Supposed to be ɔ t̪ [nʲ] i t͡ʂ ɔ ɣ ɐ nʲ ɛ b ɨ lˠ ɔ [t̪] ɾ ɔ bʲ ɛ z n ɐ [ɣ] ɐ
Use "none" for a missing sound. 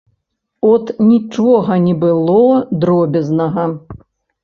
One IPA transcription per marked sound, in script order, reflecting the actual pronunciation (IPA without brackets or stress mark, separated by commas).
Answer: nʲ, d̪, ɣ